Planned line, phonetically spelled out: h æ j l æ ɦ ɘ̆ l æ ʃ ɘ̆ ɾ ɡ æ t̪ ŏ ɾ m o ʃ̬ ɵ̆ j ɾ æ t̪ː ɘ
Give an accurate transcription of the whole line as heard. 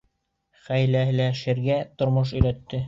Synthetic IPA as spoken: χ æ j l æ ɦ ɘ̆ l æ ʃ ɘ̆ ɾ ɡ æ t̪ ŏ ɾ m o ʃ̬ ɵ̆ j ɾ æ t̪ː ɘ